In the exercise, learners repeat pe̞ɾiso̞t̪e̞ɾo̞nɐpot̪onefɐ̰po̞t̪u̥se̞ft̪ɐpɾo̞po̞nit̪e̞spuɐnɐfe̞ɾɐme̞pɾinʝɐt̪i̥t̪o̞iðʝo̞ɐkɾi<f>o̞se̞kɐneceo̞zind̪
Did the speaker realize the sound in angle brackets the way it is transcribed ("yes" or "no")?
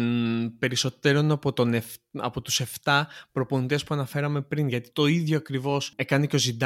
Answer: no